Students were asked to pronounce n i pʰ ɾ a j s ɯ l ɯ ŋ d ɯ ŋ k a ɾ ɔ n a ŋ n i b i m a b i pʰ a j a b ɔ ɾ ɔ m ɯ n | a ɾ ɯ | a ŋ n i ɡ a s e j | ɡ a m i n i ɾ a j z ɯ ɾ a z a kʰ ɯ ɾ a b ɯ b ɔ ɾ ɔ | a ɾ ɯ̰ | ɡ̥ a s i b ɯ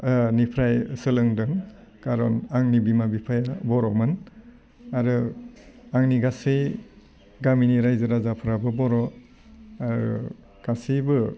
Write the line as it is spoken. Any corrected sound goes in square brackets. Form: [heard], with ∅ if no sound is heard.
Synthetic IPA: n i pʰ ɾ a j s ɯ l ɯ ŋ d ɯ ŋ k a ɾ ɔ n a ŋ n i b i m a b i pʰ a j a b ɔ ɾ ɔ m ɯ n | a ɾ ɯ | a ŋ n i ɡ a s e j | ɡ a m i n i ɾ a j z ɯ ɾ a z a [pʰ] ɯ ɾ a b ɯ b ɔ ɾ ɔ | a ɾ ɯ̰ | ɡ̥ a s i b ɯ